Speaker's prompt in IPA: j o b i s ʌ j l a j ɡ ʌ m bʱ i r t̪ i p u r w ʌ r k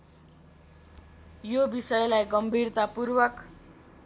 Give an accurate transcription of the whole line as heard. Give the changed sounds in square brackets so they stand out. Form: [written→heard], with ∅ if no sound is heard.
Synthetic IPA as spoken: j o b i s ʌ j l a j ɡ ʌ m bʱ i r t̪ [i→a] p u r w ʌ [r→∅] k